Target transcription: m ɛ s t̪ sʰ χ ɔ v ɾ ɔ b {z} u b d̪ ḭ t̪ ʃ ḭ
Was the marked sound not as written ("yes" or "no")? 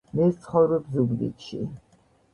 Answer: no